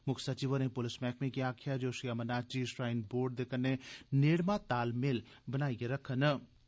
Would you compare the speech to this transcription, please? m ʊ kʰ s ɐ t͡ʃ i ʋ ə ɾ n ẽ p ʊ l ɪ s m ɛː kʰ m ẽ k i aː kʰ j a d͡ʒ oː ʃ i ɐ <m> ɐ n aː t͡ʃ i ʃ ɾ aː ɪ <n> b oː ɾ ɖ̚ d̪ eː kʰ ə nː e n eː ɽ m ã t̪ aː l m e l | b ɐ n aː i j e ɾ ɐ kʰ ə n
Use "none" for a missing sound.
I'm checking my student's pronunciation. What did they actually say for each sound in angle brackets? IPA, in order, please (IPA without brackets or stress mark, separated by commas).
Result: m, n